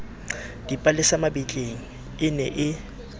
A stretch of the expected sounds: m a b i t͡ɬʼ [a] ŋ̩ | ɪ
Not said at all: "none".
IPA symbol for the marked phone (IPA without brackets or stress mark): e